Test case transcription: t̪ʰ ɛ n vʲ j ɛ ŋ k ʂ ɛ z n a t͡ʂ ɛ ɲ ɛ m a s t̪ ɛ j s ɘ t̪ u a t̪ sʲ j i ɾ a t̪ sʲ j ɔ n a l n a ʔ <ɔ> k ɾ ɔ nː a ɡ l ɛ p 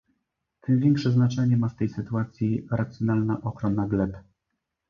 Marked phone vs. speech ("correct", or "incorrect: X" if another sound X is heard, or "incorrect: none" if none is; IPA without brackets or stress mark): correct